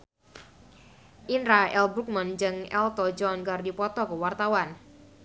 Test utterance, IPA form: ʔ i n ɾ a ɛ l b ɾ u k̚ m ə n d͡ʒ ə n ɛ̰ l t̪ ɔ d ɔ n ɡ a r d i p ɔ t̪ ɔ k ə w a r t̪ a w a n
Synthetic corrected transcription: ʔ i n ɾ a ɛ l b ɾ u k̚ m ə n d͡ʒ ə ŋ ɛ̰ l t̪ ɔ d͡ʒ ɔ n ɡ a r d i p ɔ t̪ ɔ k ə w a r t̪ a w a n